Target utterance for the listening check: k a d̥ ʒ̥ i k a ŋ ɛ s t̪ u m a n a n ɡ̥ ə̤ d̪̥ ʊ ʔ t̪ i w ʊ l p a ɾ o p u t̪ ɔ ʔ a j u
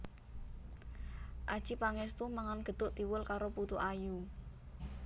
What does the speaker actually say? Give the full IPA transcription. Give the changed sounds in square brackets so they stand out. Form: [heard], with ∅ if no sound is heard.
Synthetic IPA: [ʔ] a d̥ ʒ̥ i [p] a ŋ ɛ s t̪ u m a [ŋ] a n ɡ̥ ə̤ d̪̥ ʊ ʔ t̪ i w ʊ l [k] a ɾ o p u t̪ [u] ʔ a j u